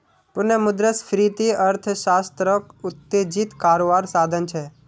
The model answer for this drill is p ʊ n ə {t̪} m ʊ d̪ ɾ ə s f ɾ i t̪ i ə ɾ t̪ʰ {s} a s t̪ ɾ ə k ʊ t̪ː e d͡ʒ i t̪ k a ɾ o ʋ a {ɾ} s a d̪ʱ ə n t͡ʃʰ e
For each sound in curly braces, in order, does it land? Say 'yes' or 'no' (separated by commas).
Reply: no, no, yes